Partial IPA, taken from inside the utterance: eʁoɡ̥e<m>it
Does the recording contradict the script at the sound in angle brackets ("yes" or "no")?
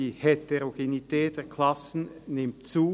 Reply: yes